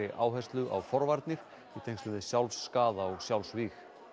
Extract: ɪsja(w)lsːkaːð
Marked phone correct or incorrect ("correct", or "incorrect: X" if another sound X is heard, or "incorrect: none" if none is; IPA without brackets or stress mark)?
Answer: correct